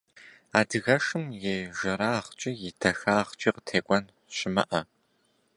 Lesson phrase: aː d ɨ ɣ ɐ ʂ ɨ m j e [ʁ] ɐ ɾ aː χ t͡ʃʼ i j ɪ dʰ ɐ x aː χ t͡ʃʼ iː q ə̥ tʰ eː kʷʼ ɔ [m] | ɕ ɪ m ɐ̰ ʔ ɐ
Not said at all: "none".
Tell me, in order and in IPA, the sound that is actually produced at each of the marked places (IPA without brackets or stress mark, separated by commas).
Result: ʒ, n